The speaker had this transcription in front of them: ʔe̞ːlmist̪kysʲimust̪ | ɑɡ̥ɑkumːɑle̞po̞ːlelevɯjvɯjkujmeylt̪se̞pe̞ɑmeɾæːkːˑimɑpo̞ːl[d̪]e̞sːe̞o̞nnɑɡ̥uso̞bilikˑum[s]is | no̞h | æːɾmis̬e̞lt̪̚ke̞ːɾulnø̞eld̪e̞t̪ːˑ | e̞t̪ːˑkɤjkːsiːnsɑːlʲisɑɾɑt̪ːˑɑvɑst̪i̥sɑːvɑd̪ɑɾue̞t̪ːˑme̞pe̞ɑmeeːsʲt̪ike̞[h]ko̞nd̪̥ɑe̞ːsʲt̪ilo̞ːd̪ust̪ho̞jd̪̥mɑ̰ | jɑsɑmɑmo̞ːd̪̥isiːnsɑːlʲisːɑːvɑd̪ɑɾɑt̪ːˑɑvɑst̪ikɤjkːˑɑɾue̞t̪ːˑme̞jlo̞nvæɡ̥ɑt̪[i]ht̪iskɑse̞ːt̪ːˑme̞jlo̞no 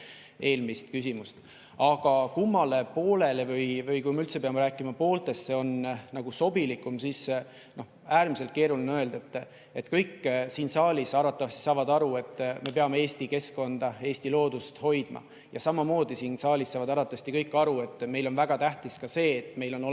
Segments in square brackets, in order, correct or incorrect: incorrect: t̪, correct, incorrect: s, incorrect: æ

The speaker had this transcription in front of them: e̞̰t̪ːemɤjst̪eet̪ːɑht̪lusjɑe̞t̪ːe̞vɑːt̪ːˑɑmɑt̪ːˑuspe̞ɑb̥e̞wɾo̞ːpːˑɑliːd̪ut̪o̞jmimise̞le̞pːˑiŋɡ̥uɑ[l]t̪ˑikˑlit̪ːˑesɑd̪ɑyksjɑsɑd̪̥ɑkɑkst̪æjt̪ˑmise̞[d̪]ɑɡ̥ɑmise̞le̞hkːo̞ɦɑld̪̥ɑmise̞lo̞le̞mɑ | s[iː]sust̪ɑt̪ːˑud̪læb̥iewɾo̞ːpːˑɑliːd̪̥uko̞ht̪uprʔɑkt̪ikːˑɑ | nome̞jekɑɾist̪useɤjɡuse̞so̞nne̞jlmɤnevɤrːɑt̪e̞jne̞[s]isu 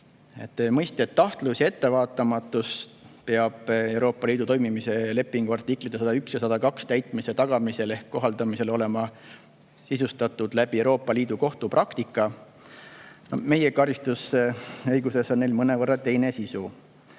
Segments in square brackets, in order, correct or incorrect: incorrect: r, incorrect: t̪, incorrect: i, correct

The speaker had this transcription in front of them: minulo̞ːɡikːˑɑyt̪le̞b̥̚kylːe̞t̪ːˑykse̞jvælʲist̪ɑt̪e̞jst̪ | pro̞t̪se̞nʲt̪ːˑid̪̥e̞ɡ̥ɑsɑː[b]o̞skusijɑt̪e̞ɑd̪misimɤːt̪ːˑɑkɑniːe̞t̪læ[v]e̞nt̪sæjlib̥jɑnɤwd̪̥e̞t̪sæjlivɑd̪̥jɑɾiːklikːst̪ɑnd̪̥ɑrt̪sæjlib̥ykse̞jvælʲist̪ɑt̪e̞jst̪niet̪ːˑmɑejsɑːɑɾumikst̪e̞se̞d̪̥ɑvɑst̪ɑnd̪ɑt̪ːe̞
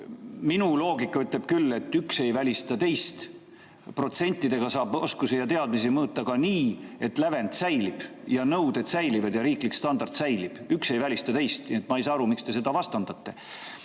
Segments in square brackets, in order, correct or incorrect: correct, correct

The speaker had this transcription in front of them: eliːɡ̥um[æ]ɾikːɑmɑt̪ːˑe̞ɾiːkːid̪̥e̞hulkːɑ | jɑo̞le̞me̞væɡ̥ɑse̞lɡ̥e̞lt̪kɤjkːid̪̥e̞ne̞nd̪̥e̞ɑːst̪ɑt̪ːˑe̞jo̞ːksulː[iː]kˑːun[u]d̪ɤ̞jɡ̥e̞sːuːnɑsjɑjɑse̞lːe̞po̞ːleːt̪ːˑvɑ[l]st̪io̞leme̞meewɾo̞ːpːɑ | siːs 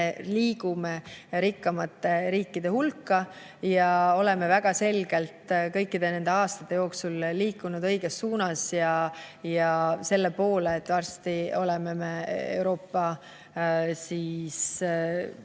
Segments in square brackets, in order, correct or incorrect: incorrect: e, correct, correct, incorrect: r

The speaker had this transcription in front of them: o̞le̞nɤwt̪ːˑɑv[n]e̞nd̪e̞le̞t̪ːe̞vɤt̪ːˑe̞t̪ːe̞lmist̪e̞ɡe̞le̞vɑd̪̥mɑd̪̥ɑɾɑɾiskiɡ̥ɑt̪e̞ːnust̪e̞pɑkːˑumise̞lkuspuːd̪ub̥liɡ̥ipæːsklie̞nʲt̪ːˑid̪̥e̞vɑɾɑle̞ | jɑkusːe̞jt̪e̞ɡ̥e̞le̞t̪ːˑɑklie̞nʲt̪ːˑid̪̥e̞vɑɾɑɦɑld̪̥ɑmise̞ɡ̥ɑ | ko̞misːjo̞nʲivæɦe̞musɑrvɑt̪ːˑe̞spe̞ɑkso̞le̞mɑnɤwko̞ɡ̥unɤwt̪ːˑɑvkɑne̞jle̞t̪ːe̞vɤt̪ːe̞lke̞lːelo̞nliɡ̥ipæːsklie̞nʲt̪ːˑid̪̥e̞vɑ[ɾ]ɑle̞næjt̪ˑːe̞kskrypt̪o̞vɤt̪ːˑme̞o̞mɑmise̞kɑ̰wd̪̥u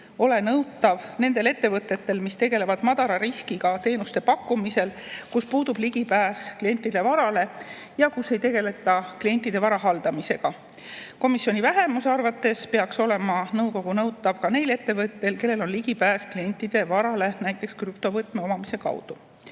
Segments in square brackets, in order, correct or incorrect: correct, correct

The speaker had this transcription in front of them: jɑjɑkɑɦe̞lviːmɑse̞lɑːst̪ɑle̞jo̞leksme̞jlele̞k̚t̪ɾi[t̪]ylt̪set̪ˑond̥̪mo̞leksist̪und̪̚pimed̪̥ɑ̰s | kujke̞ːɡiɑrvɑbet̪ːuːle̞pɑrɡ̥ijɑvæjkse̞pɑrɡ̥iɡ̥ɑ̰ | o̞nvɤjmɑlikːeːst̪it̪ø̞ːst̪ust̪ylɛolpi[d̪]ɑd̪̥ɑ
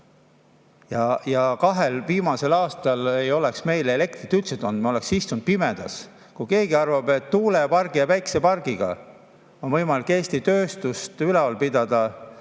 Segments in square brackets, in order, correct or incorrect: correct, correct

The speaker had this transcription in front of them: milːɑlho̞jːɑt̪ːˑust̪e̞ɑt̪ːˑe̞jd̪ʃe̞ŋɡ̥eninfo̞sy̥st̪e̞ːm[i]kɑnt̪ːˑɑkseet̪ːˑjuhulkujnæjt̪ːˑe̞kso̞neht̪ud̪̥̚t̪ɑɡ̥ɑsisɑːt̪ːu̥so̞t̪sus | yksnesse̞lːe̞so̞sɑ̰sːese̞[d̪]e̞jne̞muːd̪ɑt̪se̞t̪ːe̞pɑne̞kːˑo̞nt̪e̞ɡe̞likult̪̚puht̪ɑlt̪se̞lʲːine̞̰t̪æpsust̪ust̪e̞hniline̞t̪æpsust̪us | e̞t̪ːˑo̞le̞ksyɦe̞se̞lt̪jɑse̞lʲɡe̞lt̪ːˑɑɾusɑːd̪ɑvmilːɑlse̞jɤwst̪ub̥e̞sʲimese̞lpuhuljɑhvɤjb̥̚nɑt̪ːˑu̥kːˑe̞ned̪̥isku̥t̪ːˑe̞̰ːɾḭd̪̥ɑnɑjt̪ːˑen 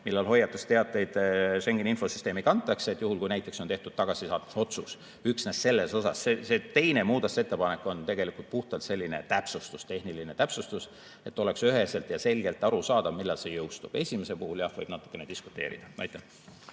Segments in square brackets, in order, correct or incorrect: correct, incorrect: t̪

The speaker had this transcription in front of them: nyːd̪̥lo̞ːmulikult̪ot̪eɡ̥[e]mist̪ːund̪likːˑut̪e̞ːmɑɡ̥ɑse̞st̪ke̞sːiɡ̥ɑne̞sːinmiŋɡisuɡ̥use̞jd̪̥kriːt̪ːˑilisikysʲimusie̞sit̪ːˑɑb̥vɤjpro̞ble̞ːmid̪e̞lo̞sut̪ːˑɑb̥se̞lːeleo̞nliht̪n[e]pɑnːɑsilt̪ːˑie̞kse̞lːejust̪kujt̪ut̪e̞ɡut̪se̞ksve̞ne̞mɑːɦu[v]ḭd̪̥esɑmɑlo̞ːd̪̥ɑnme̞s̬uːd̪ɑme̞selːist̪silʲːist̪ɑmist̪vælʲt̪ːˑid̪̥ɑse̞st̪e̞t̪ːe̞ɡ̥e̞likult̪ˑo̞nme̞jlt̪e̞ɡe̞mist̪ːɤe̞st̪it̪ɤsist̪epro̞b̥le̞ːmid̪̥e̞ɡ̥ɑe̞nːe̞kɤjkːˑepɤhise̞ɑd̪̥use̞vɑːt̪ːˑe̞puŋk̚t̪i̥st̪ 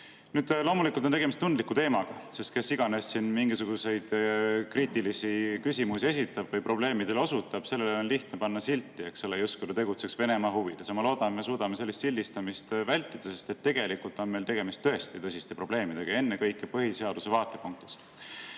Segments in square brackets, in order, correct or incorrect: correct, correct, correct

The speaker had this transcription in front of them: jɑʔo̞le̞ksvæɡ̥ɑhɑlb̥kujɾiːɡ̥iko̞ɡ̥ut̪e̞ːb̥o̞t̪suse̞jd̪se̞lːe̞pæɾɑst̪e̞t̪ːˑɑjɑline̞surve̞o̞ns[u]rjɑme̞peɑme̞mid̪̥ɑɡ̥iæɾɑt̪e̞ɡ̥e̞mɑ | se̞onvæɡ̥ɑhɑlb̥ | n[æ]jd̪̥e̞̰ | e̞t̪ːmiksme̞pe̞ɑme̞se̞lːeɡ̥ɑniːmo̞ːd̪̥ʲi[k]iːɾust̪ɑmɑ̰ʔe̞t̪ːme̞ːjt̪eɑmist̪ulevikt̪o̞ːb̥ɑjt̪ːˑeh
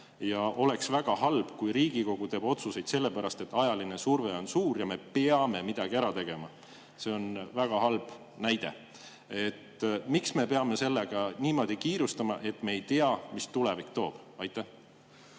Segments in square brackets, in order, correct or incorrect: incorrect: uː, correct, correct

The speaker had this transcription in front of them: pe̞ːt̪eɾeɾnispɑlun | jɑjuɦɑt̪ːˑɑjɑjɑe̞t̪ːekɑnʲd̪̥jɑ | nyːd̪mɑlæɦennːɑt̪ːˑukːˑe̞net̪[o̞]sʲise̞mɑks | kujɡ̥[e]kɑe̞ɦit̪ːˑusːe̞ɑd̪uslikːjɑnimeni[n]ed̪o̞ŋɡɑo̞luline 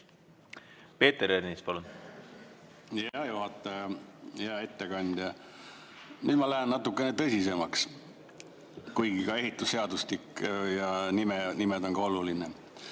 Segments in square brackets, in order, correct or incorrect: incorrect: ɤ̞, incorrect: i, incorrect: m

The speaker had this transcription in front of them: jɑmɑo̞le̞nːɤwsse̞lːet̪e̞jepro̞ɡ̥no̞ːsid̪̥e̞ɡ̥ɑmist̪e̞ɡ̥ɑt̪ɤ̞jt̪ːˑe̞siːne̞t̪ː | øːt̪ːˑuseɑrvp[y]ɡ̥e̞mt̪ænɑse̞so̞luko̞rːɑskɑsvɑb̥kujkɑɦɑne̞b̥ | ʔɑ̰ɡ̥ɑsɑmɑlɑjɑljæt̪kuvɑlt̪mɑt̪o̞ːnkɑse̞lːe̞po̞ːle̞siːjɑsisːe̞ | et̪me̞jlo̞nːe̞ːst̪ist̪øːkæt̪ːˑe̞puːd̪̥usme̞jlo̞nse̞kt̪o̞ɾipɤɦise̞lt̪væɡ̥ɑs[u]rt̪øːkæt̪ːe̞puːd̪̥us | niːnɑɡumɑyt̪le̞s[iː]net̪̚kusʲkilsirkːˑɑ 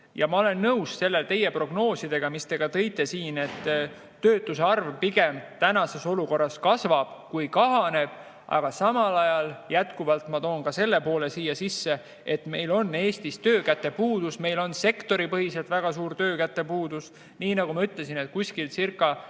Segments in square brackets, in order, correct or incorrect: incorrect: i, incorrect: uː, incorrect: i

